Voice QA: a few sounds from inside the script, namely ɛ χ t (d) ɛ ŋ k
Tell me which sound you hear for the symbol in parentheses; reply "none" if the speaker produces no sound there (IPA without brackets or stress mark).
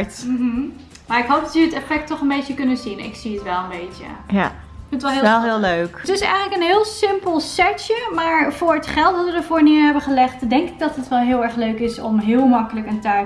d